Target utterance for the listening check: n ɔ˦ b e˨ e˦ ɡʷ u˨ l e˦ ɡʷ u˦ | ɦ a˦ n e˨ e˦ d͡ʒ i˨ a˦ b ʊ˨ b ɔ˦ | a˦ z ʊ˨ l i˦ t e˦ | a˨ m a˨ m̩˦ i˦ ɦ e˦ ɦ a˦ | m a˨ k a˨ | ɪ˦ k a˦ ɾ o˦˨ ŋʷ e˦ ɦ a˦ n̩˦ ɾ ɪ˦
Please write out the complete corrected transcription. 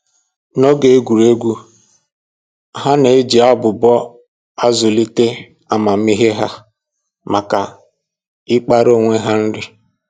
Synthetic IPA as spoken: n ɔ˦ ɡ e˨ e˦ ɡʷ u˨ ɾ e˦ ɡʷ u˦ | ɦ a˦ n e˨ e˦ d͡ʒ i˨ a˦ b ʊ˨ b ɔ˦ | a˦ z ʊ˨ l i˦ t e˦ | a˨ m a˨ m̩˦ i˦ ɦ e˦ ɦ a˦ | m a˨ k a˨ | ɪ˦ k͡p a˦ ɾ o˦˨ ŋʷ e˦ ɦ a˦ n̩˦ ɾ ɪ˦

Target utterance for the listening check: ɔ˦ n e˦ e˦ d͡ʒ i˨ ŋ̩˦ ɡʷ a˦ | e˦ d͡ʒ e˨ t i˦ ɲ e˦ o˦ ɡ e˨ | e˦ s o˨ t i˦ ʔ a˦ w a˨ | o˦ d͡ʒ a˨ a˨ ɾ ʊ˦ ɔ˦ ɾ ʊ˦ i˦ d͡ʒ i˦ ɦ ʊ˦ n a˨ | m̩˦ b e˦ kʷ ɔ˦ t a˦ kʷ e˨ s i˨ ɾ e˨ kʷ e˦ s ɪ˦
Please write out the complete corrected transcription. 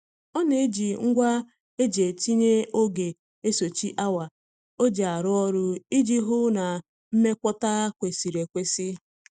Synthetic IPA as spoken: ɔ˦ n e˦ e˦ d͡ʒ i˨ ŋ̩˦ ɡʷ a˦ | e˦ d͡ʒ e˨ t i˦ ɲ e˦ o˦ ɡ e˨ | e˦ s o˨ t͡ʃ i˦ ʔ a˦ w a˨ | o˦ d͡ʒ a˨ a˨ ɾ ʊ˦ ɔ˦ ɾ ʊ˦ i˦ d͡ʒ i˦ ɦ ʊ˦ n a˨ | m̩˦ m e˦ kʷ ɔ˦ t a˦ kʷ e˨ s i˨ ɾ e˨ kʷ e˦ s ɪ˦

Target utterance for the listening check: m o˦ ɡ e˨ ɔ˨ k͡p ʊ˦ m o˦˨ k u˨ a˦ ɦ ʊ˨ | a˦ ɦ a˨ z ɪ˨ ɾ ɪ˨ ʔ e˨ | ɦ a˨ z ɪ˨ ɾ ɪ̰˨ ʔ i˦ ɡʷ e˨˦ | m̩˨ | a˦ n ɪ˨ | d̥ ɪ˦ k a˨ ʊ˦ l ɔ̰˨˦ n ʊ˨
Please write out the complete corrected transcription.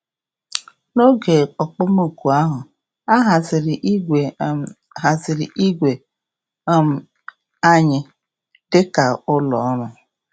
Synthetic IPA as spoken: n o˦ ɡ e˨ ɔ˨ k͡p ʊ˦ m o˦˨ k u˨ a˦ ɦ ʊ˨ | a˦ ɦ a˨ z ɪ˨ ɾ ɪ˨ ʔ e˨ | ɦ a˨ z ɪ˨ ɾ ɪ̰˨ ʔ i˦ ɡʷ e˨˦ | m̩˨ | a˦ ɲ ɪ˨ | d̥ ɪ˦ k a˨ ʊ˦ l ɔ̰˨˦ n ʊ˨

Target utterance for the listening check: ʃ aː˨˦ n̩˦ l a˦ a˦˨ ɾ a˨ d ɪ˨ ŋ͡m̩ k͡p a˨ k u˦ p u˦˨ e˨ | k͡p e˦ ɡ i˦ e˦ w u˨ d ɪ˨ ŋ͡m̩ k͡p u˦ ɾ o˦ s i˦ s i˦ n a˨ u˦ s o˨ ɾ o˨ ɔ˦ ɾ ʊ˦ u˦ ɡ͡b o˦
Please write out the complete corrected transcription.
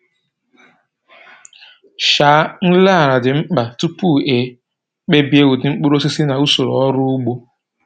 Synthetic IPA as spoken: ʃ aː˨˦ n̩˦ l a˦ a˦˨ ɾ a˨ d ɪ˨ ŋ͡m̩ k͡p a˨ t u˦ p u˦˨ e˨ | k͡p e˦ b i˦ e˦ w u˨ d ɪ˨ ŋ͡m̩ k͡p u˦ ɾ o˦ s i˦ s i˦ n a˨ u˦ s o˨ ɾ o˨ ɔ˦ ɾ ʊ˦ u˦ ɡ͡b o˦

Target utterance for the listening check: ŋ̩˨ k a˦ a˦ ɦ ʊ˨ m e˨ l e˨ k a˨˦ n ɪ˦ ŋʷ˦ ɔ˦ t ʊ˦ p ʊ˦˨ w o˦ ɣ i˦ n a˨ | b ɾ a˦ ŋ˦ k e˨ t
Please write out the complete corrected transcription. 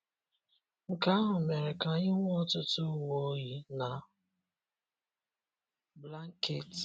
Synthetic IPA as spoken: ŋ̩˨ k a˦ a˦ ɦ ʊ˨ m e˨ ɾ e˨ k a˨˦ ɲ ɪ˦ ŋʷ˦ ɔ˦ t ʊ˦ t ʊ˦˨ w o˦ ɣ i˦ n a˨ | b l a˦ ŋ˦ k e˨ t

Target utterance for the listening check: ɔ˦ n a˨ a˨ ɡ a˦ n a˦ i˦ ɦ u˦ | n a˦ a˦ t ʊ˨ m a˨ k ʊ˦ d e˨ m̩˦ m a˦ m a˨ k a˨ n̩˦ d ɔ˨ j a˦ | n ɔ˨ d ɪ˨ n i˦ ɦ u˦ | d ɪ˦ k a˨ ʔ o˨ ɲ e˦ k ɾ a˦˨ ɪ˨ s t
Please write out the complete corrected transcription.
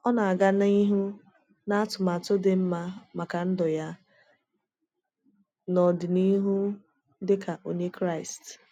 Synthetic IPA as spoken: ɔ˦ n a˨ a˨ ɡ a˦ n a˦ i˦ ɦ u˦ | n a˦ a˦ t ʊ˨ m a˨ t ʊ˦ d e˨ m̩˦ m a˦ m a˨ k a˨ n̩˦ d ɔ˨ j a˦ | n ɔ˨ d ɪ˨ n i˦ ɦ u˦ | d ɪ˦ k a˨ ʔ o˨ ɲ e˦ k ɾ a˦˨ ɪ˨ s t

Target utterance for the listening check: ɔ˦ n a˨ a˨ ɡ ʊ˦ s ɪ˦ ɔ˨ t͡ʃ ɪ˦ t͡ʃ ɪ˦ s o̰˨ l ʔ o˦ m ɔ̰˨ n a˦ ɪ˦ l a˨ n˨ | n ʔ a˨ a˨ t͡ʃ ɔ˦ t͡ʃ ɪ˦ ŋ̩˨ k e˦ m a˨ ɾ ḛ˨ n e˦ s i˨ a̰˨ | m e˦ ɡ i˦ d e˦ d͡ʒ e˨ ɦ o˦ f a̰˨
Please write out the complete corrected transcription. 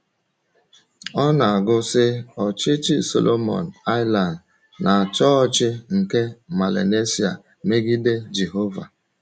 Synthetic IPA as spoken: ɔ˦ n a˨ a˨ ɡ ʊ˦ s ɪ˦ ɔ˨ t͡ʃ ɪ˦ t͡ʃ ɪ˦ s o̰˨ l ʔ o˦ m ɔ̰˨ n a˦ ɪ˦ l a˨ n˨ | n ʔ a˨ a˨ t͡ʃ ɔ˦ t͡ʃ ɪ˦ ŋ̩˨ k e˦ m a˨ l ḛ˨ n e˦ s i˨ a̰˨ | m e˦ ɡ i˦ d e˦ d͡ʒ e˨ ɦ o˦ v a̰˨

